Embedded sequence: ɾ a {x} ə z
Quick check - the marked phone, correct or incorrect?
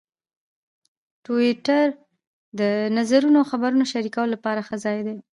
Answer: correct